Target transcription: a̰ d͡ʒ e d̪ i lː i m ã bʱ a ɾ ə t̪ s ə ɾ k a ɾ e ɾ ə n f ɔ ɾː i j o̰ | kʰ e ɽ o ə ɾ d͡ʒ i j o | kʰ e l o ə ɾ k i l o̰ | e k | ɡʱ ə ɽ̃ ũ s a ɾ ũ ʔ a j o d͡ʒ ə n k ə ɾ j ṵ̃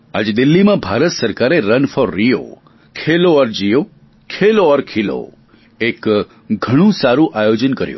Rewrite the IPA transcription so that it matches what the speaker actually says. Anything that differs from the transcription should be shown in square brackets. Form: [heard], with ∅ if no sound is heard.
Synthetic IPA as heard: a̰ d͡ʒ e d̪ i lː i m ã bʱ a ɾ ə t̪ s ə ɾ k a ɾ e ɾ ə n f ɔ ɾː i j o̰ | kʰ e [l] o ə ɾ d͡ʒ i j o | kʰ e l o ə ɾ [kʰ] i l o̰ | e k | ɡʱ ə ɽ̃ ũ s a ɾ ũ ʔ a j o d͡ʒ ə n k ə ɾ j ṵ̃